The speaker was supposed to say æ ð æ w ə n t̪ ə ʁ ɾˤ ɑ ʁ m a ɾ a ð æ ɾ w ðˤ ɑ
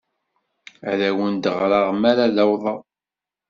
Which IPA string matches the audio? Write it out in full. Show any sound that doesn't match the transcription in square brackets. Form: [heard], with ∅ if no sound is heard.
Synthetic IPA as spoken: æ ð æ w ə n [d̪] ə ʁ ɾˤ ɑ ʁ m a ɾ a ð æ [∅] w ðˤ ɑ